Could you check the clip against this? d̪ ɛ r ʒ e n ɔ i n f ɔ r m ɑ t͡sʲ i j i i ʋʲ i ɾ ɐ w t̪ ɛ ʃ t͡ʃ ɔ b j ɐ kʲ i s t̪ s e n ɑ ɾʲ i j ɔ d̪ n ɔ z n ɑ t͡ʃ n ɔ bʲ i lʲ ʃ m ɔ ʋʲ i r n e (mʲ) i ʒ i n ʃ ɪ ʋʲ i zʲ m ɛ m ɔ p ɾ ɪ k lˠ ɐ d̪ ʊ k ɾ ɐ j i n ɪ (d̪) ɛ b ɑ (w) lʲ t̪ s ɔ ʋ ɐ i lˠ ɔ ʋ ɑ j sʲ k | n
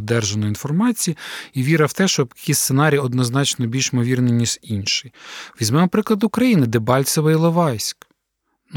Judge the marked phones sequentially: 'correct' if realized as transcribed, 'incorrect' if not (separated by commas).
incorrect, correct, incorrect